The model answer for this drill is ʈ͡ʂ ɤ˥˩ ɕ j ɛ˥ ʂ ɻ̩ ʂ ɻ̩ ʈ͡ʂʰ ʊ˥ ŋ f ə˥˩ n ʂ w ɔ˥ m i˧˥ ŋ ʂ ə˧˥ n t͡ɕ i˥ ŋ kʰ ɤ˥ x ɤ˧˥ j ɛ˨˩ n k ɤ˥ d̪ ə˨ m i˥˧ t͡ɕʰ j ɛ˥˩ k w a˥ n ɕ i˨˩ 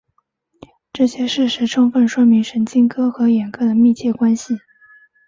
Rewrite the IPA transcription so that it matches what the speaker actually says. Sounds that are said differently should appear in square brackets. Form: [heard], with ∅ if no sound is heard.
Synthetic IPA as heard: ʈ͡ʂ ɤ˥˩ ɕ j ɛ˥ ʂ ɻ̩ ʂ ɻ̩ ʈ͡ʂʰ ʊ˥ ŋ f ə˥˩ n ʂ w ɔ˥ m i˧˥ ŋ ʂ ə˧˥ n t͡ɕ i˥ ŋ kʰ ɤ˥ x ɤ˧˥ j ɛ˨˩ n k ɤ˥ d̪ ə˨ m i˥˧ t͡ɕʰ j ɛ˥˩ k w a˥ n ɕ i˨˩